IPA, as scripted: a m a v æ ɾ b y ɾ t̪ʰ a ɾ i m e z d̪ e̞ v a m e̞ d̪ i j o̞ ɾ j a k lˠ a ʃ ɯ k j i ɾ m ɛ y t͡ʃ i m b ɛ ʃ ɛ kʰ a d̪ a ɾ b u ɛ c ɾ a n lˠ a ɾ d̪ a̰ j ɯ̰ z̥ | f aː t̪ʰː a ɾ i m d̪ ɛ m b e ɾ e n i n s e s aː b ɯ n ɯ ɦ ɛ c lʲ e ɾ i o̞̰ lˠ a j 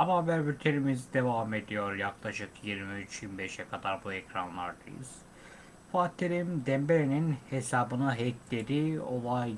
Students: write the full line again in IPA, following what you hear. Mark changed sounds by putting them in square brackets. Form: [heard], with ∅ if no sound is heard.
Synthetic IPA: a m a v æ ɾ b y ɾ t̪ʰ [e] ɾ i m [i] z d̪ e̞ v a m e̞ d̪ i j o̞ ɾ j a k lˠ a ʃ ɯ k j i ɾ m [i] y t͡ʃ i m b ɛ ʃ ɛ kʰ a d̪ a ɾ b u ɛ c ɾ a n lˠ a ɾ d̪ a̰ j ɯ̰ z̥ | f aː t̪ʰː [e] ɾ i m d̪ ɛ m b e ɾ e n i n [h] e s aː b ɯ n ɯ ɦ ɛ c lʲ e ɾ i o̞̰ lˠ a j